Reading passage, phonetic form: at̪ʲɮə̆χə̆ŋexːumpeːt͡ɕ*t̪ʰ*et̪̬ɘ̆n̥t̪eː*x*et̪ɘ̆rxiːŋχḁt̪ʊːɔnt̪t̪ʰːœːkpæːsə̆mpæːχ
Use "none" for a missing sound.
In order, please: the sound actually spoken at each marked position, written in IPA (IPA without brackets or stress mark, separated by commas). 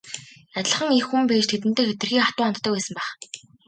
t̪ʰ, x